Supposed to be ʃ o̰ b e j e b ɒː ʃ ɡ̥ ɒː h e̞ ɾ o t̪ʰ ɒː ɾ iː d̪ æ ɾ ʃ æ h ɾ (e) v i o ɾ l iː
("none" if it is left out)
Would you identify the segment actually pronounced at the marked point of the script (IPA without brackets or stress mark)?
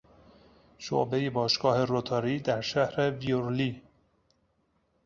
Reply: e